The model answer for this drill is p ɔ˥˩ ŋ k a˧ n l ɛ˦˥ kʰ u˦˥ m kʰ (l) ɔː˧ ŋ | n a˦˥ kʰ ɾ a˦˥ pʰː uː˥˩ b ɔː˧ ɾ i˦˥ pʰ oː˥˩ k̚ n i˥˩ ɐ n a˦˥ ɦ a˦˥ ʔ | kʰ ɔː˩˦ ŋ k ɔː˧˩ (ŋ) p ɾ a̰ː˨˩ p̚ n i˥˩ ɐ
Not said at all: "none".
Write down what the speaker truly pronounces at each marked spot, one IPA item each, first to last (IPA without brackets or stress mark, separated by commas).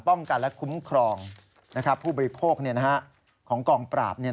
ɾ, ŋ